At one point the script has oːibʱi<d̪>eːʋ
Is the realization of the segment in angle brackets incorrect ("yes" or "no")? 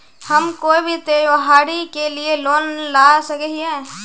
yes